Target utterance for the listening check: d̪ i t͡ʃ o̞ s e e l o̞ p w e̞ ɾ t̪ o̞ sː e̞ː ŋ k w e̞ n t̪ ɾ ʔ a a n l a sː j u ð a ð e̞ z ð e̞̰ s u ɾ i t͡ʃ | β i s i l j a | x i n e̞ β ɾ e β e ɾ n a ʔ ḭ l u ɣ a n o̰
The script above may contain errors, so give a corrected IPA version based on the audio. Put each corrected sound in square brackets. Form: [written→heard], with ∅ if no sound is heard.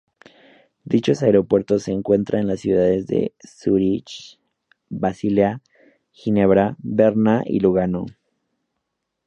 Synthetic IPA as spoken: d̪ i t͡ʃ o̞ s [e→a] e [l→ɾ] o̞ p w e̞ ɾ t̪ o̞ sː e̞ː ŋ k w e̞ n t̪ ɾ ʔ a [a→e] n l a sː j u ð a ð e̞ z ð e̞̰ s u ɾ i t͡ʃ | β [i→a] s i l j a | x i n e̞ β ɾ [e→a] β e ɾ n a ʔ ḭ l u ɣ a n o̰